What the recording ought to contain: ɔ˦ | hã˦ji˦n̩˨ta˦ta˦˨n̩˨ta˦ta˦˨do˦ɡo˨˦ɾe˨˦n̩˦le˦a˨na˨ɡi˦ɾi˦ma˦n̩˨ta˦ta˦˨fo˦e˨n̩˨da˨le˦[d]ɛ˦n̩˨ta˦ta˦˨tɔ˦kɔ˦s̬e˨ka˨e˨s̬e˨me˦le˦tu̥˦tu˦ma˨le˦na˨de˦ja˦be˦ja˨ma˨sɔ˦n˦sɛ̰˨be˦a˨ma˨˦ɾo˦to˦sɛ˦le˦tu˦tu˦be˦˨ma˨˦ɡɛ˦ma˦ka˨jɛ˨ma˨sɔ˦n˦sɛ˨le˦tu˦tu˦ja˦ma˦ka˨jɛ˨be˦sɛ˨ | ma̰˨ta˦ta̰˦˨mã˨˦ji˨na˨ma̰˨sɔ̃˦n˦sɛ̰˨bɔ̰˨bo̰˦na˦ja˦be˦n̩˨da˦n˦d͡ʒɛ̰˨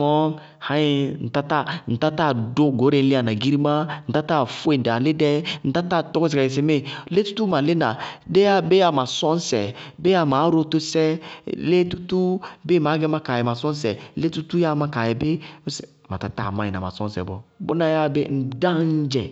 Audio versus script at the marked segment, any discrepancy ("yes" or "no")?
no